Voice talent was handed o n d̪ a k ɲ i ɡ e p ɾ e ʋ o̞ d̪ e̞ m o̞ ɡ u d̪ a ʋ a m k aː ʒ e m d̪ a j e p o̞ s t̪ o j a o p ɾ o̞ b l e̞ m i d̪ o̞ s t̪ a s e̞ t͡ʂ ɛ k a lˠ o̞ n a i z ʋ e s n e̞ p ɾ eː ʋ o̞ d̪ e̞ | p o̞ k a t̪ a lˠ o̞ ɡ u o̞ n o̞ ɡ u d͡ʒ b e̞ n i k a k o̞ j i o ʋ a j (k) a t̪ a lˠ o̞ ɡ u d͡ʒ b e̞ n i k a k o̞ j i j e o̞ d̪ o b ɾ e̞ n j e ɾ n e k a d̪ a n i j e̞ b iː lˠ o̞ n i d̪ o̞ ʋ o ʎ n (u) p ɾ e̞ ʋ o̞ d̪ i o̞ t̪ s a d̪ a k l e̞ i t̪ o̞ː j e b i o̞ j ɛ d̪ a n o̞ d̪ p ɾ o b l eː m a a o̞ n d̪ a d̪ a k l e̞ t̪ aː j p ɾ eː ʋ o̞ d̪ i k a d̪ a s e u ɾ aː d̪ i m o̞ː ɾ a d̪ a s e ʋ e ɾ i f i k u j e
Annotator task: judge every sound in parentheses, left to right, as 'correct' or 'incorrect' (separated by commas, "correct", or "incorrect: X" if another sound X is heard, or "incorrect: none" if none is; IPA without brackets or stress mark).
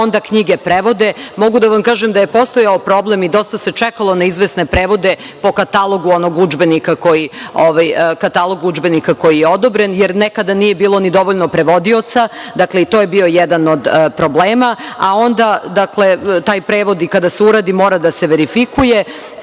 correct, incorrect: o